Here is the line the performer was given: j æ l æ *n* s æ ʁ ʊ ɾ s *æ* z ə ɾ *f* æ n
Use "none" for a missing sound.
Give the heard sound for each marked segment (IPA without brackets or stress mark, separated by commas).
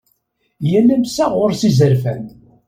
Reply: m, i, f